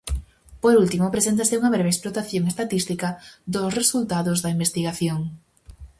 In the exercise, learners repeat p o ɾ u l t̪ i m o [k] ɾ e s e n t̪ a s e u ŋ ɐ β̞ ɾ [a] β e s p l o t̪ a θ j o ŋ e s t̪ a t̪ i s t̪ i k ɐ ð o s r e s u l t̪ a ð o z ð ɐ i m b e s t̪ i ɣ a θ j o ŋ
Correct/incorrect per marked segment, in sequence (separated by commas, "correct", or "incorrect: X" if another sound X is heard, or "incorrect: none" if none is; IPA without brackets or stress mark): incorrect: p, incorrect: e